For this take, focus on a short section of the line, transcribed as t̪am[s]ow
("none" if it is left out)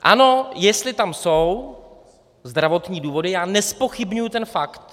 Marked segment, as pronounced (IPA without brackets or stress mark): s